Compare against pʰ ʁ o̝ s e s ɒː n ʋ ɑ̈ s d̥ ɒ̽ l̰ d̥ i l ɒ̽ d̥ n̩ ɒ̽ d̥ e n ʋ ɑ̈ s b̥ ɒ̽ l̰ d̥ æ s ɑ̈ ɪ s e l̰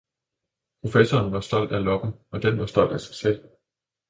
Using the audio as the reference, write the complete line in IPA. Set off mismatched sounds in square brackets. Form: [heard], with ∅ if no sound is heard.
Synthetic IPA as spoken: pʰ ʁ o̝ [f] e s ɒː n ʋ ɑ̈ s d̥ ɒ̽ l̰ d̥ [æ] l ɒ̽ [ɡ̥] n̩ ɒ̽ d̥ e n ʋ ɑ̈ s [d̥] ɒ̽ l̰ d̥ æ s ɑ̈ ɪ s e l̰